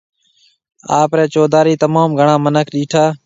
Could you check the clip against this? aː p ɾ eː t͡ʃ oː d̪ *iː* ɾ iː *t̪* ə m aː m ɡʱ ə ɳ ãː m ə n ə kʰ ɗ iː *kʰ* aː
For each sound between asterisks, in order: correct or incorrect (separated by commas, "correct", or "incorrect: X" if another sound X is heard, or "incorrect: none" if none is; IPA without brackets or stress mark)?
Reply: incorrect: aː, correct, incorrect: ʈʰ